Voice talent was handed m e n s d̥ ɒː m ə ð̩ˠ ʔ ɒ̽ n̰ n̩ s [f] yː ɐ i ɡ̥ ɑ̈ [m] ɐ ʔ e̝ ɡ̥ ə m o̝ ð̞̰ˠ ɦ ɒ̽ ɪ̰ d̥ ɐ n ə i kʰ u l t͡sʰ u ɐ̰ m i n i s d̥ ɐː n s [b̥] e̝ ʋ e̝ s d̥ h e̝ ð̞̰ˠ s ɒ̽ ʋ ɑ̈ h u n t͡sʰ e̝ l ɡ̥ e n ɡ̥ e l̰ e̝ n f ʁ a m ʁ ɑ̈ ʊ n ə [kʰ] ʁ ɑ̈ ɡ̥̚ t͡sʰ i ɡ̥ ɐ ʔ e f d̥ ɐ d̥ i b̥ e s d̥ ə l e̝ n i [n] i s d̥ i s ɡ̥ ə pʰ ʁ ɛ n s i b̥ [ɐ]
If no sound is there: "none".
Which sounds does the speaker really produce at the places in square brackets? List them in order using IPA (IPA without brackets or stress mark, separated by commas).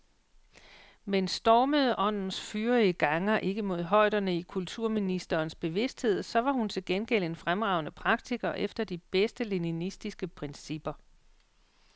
f, ŋ, b̥, pʰ, n, ɐ